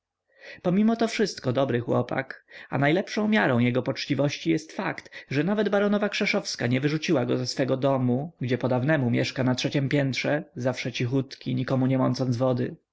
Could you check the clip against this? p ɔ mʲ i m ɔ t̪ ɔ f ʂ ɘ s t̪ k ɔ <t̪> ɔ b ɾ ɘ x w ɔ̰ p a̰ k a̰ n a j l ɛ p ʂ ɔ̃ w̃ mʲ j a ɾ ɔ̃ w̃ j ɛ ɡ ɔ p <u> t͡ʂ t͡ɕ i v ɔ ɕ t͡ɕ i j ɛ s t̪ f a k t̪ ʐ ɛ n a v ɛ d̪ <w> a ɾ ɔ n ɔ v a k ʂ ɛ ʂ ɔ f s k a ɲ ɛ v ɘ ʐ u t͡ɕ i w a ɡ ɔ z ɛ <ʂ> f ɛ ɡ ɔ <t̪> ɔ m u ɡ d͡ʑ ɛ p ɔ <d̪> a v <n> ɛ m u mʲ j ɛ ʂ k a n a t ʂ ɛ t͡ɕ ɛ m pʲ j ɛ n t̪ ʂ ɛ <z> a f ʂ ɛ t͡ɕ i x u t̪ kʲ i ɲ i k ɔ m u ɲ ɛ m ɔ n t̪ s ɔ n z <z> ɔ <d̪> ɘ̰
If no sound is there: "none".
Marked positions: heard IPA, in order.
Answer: d̪, ɔ, b, s, d̪, d̪, n, z, v, d̪

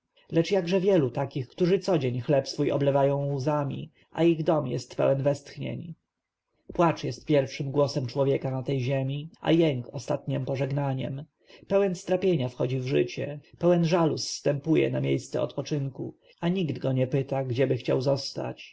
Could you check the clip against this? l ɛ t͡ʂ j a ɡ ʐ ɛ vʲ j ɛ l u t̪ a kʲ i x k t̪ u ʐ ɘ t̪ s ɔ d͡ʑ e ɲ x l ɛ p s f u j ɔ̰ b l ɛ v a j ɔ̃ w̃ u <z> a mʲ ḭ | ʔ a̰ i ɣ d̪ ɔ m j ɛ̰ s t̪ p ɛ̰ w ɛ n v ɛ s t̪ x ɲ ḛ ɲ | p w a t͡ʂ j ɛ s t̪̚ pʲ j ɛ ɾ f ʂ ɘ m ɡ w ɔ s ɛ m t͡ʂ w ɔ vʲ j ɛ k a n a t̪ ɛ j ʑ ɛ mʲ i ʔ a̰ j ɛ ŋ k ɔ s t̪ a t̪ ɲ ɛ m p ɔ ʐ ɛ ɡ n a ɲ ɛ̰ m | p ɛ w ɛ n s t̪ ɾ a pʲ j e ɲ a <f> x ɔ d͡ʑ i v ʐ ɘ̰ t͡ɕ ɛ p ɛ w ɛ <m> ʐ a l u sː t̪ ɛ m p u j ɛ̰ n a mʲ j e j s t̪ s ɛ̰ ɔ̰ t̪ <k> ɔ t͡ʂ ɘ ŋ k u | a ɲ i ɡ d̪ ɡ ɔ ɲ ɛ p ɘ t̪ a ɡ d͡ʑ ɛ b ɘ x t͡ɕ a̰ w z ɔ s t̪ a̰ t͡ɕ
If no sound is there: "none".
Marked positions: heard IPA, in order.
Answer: z, f, n, p

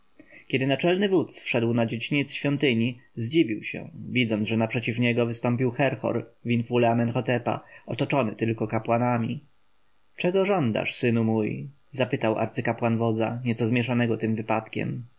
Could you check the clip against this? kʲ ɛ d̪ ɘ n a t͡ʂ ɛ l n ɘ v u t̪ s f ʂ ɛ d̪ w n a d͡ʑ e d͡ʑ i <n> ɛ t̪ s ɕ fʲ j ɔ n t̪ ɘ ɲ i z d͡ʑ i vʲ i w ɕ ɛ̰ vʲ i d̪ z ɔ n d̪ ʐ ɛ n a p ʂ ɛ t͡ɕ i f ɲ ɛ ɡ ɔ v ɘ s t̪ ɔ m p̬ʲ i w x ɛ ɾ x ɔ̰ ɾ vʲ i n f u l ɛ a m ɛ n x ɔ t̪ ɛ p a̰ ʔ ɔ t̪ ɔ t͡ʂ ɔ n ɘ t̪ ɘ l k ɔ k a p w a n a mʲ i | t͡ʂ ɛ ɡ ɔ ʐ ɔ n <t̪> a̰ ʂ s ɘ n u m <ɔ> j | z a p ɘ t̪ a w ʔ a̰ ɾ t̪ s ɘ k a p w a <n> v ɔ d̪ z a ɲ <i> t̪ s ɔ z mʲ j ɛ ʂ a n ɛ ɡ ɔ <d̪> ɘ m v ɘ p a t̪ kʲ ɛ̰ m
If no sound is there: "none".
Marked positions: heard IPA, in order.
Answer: ɲ, d̪, u, n, ɛ, t̪

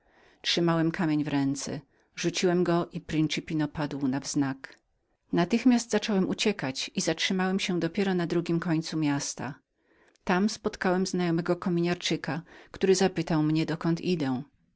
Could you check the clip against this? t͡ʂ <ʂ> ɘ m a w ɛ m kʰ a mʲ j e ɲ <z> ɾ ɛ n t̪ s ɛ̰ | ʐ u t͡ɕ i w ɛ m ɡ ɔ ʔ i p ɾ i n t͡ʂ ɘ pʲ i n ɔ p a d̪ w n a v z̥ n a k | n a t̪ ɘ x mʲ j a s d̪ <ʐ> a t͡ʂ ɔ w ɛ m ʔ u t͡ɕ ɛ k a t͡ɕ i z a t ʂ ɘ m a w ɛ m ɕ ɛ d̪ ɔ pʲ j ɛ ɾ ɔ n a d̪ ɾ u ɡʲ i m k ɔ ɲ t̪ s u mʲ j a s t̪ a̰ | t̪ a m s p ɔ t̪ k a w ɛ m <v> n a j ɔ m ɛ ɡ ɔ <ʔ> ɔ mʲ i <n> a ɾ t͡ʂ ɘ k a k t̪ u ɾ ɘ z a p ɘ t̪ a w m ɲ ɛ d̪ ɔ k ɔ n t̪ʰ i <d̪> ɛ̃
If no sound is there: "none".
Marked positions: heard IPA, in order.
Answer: ʂ, v, z, z, k, ɲ, d̪

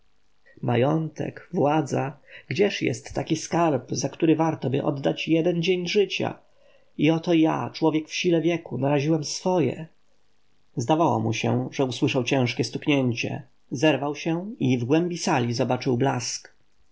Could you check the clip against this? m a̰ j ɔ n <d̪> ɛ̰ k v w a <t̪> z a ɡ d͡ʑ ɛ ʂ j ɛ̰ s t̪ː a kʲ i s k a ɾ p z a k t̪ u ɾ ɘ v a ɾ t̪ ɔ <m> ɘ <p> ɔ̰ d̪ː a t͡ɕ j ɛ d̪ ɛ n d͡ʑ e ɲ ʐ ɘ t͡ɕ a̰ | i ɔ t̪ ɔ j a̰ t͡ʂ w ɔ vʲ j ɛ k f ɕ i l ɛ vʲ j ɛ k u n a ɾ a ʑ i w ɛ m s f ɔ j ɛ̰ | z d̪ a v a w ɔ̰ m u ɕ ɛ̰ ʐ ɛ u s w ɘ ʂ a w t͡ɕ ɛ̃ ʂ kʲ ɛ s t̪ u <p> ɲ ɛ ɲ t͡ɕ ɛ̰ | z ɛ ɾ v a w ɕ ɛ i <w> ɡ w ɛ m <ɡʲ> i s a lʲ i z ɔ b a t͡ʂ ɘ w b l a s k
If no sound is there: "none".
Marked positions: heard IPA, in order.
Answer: t̪, d̪, b, ʔ, k, v, bʲ

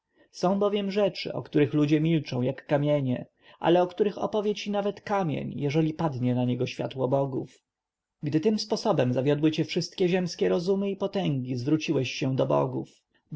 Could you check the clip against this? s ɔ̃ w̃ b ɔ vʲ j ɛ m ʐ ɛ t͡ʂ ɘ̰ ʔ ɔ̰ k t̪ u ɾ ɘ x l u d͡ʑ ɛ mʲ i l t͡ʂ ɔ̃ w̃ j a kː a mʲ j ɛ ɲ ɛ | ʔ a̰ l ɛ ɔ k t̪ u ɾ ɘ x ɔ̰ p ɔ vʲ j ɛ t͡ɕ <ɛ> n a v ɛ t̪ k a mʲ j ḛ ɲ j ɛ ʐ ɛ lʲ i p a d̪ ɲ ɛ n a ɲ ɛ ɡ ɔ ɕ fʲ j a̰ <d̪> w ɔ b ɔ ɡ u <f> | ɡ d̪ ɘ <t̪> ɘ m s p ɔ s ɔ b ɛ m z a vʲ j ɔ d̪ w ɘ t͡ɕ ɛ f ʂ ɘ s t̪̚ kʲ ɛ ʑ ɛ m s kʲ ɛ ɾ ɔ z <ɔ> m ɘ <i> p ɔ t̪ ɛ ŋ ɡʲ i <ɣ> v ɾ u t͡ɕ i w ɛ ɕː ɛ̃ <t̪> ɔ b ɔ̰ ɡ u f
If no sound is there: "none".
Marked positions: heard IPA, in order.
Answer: i, t̪, f, t̪, u, i, z, d̪

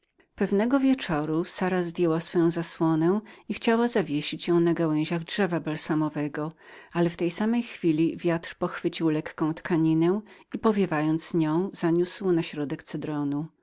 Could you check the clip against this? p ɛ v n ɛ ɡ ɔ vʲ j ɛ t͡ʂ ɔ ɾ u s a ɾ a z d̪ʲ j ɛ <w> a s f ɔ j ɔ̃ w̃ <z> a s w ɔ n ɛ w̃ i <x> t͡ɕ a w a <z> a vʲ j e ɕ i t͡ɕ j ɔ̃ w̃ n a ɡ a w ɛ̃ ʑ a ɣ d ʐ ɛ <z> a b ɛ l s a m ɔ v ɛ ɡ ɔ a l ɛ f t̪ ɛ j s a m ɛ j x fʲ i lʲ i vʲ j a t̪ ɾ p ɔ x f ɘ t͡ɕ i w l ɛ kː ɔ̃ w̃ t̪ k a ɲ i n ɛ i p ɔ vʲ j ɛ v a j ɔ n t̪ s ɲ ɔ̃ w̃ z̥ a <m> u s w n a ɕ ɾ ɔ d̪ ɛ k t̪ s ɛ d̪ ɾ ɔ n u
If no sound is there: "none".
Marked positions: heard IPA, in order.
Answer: w, z, x, z, v, ɲ

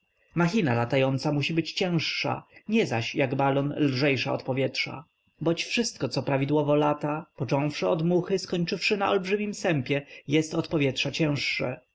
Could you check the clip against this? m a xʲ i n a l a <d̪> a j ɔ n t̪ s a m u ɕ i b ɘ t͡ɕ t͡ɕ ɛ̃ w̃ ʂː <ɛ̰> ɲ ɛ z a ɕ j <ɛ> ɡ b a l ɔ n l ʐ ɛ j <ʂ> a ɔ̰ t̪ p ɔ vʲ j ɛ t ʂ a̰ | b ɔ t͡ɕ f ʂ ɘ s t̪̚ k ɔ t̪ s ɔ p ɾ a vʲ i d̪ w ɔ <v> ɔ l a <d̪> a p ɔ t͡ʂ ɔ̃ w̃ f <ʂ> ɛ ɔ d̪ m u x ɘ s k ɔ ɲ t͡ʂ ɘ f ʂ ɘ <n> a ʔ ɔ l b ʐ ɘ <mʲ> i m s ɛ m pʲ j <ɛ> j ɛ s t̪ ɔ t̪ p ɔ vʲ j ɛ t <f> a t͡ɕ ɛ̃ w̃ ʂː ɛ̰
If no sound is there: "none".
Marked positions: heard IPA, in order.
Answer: t̪, a̰, a, ʂ, v, t̪, ʂ, n, mʲ, ɛ, ʂ

